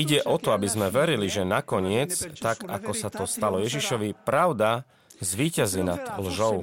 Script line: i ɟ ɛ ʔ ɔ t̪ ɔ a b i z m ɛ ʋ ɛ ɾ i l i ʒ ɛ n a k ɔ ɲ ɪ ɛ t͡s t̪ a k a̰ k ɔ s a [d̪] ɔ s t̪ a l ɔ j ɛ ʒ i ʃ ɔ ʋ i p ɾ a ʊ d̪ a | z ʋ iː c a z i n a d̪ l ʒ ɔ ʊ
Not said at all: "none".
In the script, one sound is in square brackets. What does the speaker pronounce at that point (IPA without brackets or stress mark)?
t̪